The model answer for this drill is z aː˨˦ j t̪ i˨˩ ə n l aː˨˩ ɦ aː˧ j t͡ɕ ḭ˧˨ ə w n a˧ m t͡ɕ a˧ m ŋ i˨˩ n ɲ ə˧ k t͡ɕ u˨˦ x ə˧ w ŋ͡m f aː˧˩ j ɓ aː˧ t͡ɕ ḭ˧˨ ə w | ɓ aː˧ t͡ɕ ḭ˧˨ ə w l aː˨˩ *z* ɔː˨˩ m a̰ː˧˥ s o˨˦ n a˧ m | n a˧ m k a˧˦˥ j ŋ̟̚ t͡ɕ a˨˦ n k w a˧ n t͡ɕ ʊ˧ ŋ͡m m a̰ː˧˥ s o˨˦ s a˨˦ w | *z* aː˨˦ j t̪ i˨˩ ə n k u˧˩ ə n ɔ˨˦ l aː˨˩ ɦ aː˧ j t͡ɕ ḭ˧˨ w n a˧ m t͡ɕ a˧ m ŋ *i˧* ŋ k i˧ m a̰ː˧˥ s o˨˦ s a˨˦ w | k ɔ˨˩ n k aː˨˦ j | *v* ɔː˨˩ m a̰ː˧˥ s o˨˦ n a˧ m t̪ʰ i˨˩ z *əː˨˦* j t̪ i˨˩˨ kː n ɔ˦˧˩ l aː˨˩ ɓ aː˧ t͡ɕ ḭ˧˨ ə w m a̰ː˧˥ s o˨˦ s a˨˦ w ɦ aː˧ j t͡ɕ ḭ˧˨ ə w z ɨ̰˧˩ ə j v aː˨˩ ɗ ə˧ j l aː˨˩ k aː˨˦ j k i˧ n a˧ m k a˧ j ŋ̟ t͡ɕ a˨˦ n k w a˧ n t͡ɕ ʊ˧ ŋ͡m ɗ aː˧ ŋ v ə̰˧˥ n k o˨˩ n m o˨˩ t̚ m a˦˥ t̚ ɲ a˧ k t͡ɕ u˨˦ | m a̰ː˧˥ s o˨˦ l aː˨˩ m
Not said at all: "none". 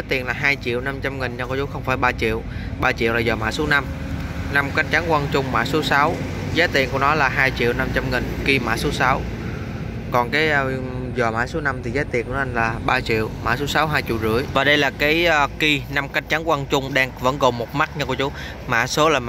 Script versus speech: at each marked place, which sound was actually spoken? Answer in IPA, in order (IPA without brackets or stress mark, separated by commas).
z, z, i˨˩, z, aː˨˦